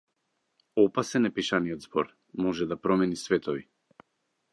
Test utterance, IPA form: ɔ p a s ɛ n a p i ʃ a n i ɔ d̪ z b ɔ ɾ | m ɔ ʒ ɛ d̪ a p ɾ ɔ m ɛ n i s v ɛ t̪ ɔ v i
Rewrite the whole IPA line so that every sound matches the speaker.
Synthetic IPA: ɔ p a s ɛ n ɛ p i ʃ a n i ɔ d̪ z b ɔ ɾ | m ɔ ʒ ɛ d̪ a p ɾ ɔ m ɛ n i s v ɛ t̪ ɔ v i